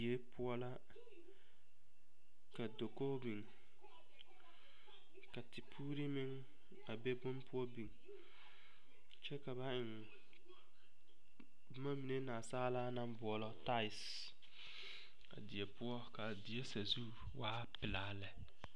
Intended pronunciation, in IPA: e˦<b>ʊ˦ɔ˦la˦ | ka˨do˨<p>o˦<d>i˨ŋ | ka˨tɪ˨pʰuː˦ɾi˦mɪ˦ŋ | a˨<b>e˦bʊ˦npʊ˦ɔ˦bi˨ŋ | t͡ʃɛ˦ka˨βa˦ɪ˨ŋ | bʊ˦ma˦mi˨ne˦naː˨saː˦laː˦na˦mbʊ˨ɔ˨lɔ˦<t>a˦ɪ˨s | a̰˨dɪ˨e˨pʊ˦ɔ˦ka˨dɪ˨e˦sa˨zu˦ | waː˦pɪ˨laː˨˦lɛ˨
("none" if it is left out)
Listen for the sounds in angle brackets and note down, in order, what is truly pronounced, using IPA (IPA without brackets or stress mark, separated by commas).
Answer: p, k, b, b, t